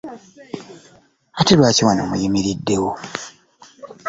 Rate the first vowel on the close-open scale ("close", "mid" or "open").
open